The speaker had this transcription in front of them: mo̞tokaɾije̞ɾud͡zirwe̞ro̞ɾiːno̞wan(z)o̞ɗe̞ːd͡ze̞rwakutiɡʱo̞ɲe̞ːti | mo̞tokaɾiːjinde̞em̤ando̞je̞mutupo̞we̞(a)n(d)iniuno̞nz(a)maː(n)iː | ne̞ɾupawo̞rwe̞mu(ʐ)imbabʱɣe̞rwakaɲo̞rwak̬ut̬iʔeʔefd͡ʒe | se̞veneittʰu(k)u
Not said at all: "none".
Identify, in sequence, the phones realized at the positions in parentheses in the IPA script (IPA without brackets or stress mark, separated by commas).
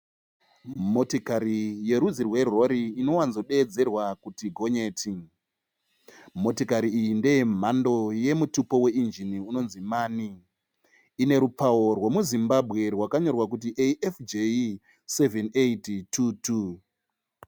z, i, d͡ʒ, i, n, z, t